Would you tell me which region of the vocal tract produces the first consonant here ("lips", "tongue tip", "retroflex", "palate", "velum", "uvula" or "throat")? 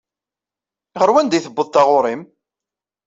uvula